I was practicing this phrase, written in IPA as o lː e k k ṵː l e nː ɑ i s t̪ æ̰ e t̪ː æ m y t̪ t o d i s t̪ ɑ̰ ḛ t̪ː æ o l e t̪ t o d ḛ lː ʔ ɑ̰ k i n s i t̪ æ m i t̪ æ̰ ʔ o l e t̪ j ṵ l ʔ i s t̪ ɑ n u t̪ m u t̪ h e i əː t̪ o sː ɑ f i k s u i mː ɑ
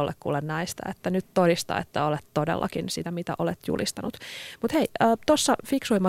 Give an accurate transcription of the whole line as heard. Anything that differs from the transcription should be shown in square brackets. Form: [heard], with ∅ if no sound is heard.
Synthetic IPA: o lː e k k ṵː l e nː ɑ i s t̪ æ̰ e t̪ː æ [n] y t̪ t o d i s t̪ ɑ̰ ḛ t̪ː æ o l e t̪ t o d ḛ lː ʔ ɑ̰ k i n s i t̪ æ m i t̪ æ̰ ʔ o l e t̪ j ṵ l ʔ i s t̪ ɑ n u t̪ m u t̪ h e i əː t̪ o sː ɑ f i k s u i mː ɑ